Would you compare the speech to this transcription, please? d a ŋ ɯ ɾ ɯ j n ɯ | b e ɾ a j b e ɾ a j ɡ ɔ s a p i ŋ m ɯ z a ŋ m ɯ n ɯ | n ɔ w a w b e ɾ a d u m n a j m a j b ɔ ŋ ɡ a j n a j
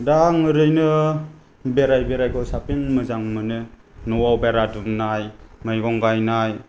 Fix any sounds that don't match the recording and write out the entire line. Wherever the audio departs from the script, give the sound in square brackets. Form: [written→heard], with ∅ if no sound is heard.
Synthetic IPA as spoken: d a ŋ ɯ ɾ ɯ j n ɯ | b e ɾ a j b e ɾ a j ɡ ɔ s a p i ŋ m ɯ z a ŋ m ɯ n ɯ | n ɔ w a w b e ɾ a d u m n a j m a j [b→ɡ] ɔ ŋ ɡ a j n a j